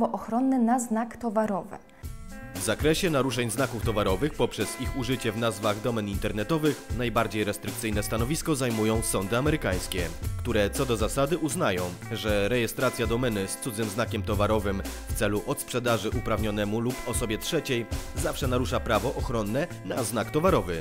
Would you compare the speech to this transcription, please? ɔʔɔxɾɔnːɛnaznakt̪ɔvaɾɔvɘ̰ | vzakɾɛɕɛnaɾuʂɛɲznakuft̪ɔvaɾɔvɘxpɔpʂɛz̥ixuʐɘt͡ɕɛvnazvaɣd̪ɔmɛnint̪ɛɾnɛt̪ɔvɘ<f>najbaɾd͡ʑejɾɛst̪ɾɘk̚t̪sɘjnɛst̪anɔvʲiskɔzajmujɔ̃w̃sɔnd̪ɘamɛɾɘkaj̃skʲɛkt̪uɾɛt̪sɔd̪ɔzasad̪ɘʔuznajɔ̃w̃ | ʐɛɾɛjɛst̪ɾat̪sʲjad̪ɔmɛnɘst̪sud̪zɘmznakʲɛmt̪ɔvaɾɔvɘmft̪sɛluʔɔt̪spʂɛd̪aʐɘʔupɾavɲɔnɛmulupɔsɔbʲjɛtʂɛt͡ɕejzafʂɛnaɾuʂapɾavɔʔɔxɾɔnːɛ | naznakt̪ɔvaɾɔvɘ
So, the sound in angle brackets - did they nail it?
no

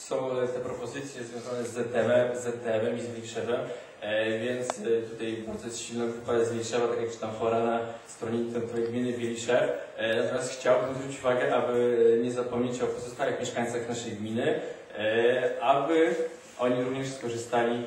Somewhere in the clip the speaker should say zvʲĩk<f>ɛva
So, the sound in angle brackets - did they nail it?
no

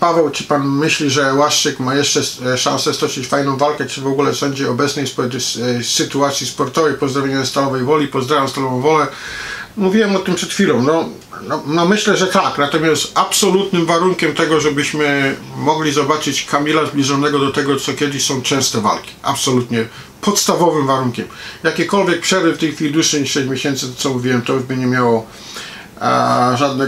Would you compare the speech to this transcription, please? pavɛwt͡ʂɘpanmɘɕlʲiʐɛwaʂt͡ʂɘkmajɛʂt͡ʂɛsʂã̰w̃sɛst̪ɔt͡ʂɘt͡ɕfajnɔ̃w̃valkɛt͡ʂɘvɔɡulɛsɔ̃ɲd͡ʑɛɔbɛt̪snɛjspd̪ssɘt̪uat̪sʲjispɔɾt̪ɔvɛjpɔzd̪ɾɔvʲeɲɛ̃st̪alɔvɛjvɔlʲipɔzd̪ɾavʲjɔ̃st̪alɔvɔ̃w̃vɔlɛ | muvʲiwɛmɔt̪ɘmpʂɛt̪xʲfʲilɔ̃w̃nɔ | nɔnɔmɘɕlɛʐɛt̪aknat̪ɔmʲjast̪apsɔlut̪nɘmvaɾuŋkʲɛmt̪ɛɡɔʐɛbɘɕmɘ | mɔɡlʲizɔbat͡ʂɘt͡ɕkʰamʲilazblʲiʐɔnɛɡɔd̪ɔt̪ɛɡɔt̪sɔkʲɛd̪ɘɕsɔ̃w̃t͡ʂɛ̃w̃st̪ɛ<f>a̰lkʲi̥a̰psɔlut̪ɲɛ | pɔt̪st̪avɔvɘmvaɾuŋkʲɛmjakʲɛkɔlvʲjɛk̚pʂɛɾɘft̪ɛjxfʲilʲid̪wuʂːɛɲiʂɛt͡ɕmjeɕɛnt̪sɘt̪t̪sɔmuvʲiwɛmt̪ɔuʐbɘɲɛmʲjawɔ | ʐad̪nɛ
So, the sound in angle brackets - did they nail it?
no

